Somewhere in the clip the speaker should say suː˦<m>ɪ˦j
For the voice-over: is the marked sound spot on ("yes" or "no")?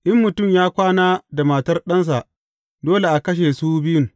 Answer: no